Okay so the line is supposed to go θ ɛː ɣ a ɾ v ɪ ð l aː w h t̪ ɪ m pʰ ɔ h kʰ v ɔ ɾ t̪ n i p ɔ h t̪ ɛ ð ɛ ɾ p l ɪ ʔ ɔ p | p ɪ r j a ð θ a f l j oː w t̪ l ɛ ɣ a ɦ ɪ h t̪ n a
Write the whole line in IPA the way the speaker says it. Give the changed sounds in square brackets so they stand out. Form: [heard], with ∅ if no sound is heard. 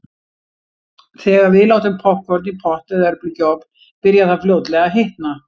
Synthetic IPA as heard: θ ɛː ɣ a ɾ v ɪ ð l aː w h t̪ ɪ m pʰ ɔ h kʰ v ɔ ɾ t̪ n i [pʰ] ɔ h t̪ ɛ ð ɛ ɾ p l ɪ [c] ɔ p | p ɪ [ɾ] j a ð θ a f l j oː w t̪ l ɛ ɣ a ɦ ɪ h t̪ n a